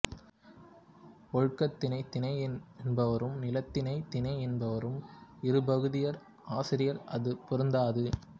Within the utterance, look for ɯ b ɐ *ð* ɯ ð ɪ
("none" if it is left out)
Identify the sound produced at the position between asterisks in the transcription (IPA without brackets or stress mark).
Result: ɣ